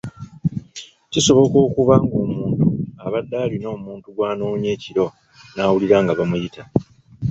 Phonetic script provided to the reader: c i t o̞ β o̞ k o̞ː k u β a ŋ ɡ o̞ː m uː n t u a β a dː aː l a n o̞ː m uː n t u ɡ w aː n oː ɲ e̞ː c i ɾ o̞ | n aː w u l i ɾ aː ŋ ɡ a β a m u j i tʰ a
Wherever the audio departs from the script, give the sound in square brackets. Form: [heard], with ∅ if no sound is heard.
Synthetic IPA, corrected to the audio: c i [s] o̞ β o̞ k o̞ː k u β a ŋ ɡ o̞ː m uː n t u a β a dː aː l [i] n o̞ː m uː n t u ɡ w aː n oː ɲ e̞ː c i ɾ o̞ | n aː w u l i ɾ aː ŋ ɡ a β a m u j i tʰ a